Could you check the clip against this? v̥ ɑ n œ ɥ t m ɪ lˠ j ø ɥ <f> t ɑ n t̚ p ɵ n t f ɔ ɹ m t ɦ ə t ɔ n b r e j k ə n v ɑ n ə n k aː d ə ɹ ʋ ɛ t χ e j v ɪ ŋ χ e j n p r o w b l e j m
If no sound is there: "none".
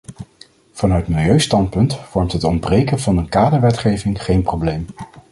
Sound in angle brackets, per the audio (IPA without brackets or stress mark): s